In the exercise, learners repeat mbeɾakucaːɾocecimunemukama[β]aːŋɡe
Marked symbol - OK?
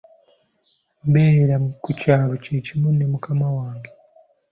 no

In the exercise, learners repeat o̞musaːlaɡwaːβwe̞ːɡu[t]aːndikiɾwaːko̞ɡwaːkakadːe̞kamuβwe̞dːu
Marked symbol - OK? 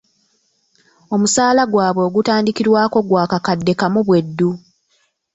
yes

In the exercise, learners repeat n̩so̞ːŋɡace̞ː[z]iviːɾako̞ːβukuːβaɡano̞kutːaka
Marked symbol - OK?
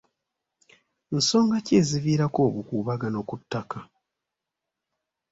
yes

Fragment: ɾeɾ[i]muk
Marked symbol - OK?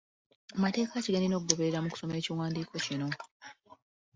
no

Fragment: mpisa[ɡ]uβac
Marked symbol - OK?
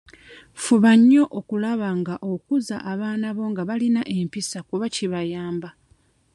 no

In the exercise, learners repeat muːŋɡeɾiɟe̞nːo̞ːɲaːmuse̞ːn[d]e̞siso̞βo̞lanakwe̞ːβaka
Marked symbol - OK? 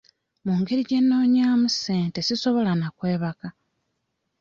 no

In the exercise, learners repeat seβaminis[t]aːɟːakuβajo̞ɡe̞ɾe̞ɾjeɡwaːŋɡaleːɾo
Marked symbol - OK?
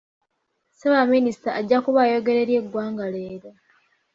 yes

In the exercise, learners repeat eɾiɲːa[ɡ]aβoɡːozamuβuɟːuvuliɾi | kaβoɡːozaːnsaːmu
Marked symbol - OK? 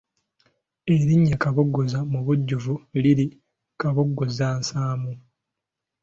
no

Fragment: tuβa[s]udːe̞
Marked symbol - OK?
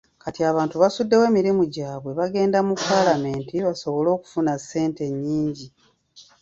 yes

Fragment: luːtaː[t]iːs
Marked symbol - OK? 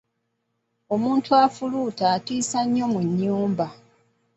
yes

